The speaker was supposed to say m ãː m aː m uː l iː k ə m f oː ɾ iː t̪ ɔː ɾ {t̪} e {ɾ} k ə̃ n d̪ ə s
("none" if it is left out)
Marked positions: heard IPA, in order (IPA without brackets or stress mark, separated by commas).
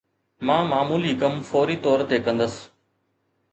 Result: t̪, none